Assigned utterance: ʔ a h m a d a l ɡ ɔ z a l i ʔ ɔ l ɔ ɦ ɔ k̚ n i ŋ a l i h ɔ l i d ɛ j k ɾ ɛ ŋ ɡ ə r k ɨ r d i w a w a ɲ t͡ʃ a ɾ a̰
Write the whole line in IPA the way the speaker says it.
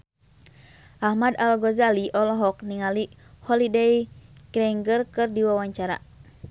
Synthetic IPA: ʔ a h m a d a l ɡ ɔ z a l i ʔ ɔ l ɔ ɦ ɔ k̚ n i ŋ a l i h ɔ l i d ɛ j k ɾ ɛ ŋ ɡ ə r k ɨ r d i w a w a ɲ t͡ʃ a ɾ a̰